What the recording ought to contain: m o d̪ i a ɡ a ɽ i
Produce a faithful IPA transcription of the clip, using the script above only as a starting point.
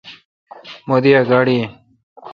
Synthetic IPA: m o d̪ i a ɡ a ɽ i